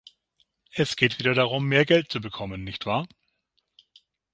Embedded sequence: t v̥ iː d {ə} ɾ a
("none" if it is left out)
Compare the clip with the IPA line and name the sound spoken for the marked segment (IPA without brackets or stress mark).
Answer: ɐ